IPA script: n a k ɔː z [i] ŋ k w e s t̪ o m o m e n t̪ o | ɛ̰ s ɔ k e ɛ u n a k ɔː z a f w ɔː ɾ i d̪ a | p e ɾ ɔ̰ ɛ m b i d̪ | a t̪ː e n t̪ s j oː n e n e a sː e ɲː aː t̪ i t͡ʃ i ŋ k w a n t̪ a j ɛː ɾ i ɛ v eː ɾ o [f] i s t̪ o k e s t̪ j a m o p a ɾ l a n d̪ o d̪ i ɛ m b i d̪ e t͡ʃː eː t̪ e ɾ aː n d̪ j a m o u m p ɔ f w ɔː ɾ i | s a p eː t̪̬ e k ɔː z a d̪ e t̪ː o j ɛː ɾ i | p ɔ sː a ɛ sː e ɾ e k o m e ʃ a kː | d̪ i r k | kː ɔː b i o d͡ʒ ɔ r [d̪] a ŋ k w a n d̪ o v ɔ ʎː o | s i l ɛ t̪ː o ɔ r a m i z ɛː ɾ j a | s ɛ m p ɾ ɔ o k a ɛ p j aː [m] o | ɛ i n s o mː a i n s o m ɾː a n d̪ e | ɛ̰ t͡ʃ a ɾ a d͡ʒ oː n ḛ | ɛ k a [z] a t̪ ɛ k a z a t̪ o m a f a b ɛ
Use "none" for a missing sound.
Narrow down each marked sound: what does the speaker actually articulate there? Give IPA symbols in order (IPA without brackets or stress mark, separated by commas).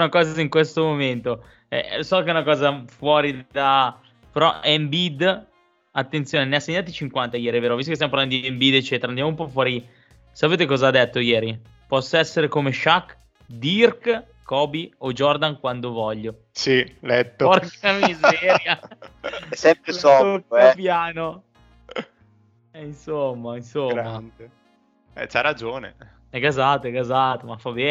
i, v, d̪, n, z